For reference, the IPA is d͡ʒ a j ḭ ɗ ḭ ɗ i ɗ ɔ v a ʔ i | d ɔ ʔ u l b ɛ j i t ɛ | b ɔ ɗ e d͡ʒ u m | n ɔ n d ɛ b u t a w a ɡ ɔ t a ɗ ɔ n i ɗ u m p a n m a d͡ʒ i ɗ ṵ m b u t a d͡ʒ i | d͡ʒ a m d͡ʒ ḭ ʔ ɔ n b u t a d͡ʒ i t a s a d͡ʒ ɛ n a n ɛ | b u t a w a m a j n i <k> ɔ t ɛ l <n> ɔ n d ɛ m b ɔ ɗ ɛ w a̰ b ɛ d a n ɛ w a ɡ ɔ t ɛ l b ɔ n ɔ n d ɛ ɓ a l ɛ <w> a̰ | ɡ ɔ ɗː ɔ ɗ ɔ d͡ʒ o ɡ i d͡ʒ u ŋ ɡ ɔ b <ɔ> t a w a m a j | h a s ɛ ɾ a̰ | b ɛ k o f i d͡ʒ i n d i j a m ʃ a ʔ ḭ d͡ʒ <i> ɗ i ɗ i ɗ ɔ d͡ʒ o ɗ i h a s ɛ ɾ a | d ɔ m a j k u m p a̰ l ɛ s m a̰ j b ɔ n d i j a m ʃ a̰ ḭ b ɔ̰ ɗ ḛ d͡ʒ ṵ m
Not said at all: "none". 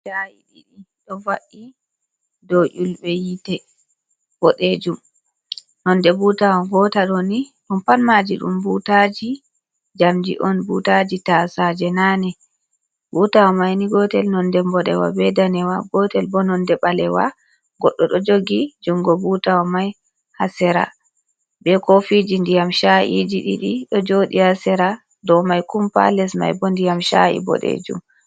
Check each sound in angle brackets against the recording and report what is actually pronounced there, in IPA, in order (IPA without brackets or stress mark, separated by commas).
ɡ, n, w, u, i